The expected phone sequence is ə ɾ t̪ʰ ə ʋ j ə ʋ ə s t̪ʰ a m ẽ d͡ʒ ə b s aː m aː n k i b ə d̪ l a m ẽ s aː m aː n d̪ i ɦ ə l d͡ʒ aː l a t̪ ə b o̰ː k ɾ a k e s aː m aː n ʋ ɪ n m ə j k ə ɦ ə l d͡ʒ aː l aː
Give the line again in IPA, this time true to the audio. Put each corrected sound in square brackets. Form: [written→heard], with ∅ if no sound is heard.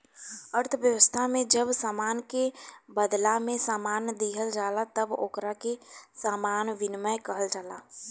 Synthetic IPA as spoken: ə ɾ t̪ʰ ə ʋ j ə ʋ ə s t̪ʰ a m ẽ d͡ʒ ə b s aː m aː n k [i→e] b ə d̪ l a m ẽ s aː m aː n d̪ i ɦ ə l d͡ʒ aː l a t̪ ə b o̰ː k ɾ a k e s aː m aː n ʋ ɪ n m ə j k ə ɦ ə l d͡ʒ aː l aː